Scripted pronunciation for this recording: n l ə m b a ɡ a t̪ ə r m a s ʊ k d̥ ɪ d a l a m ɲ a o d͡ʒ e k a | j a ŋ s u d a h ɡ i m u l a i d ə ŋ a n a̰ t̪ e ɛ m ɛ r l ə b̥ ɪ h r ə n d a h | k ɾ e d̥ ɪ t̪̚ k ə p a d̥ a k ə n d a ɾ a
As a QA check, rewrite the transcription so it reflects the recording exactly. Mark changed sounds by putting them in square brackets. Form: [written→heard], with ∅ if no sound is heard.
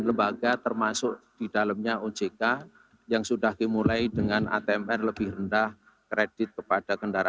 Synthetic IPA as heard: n l ə m b a ɡ a t̪ ə r m a s ʊ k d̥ [ɪ→i] d a l a m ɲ a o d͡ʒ e k a | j a ŋ s u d a h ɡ i m u l a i d ə ŋ a n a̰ t̪ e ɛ m ɛ r l ə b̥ ɪ h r ə n d a h | k ɾ e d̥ ɪ t̪̚ k ə p a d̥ a k ə n d a ɾ a

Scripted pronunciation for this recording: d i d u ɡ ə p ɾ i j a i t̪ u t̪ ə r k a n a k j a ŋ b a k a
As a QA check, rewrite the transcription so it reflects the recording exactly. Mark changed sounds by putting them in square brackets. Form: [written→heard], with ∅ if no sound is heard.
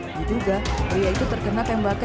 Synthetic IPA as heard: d i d u ɡ [ə→a] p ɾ i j a i t̪ u t̪ ə r k [a→ə] n a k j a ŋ b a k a

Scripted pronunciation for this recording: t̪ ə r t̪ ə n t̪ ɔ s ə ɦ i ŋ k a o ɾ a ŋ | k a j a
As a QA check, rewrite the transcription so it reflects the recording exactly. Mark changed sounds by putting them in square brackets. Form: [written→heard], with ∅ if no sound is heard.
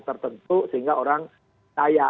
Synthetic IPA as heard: t̪ ə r t̪ ə n t̪ [ɔ→u] s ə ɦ i ŋ [k→ɡ] a o ɾ a ŋ | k a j a

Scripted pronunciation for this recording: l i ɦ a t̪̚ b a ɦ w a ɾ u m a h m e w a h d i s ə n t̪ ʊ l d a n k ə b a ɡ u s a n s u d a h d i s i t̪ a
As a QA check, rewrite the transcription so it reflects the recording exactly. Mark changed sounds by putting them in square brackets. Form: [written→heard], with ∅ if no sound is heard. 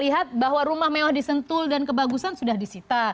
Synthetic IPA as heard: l i ɦ a t̪̚ b a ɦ w a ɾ u m a h m e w a h d i s ə n t̪ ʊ l d a n k ə b a ɡ u s a n s u d a h d i s i t̪ a

